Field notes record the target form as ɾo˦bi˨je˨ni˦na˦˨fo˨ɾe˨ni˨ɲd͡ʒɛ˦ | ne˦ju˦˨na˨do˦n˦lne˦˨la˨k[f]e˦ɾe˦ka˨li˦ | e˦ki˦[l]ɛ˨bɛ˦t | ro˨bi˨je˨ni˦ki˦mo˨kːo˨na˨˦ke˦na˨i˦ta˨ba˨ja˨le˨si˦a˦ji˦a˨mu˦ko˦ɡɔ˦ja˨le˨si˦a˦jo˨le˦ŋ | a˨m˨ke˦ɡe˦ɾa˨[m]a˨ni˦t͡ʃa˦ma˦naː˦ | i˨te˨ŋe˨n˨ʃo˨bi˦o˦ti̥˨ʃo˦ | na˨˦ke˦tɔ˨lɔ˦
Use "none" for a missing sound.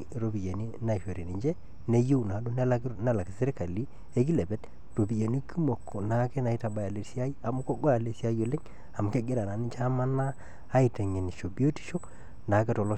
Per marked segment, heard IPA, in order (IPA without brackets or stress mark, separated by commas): s, l, n